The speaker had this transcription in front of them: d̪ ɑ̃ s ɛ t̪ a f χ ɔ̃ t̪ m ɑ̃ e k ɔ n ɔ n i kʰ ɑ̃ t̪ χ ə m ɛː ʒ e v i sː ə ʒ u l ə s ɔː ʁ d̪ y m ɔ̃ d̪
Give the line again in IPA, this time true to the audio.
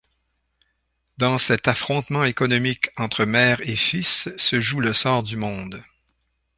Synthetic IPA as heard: d̪ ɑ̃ s ɛ t̪ a f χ ɔ̃ t̪ m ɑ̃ e k ɔ n ɔ m i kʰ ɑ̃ t̪ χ ə m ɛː ʁ e f i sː ə ʒ u l ə s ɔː ʁ d̪ y m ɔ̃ d̪